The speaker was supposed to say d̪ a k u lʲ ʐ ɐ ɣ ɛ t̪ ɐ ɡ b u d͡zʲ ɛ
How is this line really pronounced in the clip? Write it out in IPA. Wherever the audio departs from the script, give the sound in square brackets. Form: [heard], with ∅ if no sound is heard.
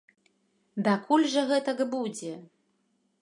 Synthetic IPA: d̪ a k u lʲ ʐ ɐ ɣ ɛ t̪ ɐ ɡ b u d͡zʲ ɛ